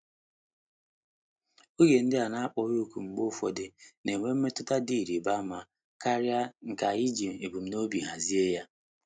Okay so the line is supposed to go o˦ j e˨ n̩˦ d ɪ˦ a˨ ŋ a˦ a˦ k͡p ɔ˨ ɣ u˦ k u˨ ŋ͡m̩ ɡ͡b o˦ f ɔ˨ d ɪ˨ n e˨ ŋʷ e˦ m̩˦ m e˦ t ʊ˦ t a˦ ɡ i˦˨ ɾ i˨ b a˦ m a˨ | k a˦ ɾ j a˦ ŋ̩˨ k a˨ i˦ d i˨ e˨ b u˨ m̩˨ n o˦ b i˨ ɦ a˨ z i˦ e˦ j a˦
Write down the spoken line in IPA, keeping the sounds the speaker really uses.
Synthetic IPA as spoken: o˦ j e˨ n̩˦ d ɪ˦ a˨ n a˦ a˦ k͡p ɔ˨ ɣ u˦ k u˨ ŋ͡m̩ ɡ͡b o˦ f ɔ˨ d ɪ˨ n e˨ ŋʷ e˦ m̩˦ m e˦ t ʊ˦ t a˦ d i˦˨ ɾ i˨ b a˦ m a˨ | k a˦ ɾ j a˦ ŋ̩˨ k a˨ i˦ d͡ʒ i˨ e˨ b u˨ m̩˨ n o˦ b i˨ ɦ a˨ z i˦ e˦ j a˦